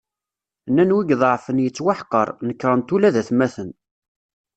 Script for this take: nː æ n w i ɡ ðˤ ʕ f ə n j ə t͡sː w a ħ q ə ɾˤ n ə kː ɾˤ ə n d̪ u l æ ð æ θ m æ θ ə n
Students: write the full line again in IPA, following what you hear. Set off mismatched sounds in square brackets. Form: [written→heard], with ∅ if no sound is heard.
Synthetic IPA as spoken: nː æ n w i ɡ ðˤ ʕ f ə n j ə t͡sː w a ħ q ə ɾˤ n ə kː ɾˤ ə n [d̪→t̪] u l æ ð æ θ m æ θ ə n